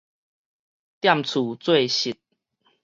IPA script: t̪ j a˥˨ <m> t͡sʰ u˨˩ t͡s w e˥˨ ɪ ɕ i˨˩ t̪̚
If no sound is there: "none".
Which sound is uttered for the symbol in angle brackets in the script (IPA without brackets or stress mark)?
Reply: m